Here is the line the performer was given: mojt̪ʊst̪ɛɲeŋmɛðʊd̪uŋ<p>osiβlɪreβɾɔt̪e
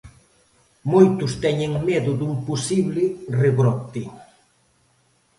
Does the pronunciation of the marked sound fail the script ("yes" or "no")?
no